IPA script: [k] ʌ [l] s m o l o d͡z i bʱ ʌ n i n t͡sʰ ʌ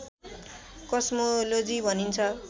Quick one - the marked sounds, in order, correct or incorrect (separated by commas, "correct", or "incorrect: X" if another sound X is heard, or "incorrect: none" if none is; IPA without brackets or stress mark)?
correct, incorrect: none